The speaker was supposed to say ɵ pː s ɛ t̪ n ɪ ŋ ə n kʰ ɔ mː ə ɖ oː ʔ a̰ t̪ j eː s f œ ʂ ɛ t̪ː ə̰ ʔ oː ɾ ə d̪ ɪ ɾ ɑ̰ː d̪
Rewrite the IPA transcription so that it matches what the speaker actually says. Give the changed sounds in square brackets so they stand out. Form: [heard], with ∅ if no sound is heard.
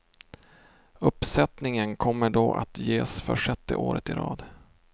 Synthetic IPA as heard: ɵ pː s ɛ t̪ n ɪ ŋ ə n kʰ ɔ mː ə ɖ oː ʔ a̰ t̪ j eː s f œ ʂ ɛ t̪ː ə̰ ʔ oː ɾ ə [t̪] ɪ ɾ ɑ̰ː d̪